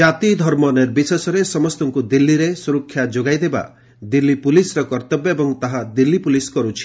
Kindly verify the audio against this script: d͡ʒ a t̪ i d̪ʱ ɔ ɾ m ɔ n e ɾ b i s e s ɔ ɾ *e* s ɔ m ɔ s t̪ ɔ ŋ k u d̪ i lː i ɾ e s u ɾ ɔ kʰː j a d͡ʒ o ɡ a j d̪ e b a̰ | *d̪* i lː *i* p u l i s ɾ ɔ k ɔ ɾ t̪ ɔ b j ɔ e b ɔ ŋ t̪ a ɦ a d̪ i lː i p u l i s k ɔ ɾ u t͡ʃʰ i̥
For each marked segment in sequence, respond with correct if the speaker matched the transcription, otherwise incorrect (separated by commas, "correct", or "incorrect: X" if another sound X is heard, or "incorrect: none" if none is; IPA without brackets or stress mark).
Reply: correct, correct, correct